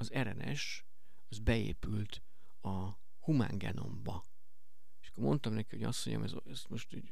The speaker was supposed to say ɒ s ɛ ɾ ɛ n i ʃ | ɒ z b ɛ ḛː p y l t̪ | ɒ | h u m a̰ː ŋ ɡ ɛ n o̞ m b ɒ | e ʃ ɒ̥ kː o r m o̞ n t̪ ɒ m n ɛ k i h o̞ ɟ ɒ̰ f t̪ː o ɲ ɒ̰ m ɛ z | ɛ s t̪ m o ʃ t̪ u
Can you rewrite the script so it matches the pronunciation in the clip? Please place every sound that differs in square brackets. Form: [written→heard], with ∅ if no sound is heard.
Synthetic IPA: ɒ [s→z] ɛ ɾ ɛ n [i→ɛ] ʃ | ɒ z b ɛ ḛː p y l t̪ | ɒ | h u m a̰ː ŋ ɡ ɛ n o̞ m b ɒ | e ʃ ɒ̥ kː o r m o̞ n t̪ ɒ m n ɛ k i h o̞ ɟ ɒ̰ [f→s] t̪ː o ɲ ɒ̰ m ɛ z | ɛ s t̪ m o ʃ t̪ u